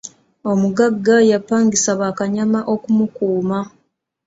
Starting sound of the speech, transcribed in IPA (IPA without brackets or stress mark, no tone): o̞